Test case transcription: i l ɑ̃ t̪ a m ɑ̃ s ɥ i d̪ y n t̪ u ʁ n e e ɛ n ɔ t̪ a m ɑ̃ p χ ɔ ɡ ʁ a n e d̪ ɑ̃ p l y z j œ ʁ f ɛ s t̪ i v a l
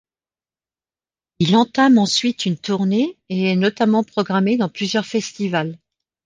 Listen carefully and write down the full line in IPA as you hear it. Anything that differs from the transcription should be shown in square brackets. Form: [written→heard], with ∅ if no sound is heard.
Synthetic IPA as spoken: i l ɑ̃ t̪ a m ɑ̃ s ɥ i [d̪→t̪] y n t̪ u ʁ n e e ɛ n ɔ t̪ a m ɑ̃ p χ ɔ ɡ ʁ a [n→m] e d̪ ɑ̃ p l y z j œ ʁ f ɛ s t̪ i v a l